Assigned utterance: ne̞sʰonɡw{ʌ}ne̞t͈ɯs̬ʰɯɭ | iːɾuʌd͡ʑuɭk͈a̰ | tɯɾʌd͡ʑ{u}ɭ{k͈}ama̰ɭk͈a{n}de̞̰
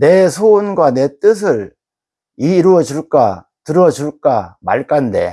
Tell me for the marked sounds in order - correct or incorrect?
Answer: incorrect: a, correct, correct, correct

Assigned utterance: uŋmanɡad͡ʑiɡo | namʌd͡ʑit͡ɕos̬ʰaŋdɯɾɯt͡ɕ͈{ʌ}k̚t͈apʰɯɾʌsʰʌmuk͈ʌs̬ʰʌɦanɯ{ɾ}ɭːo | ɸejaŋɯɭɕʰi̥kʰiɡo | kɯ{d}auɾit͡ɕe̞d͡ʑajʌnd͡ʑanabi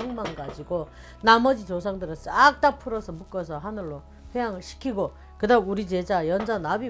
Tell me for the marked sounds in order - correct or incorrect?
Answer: incorrect: a, incorrect: none, correct

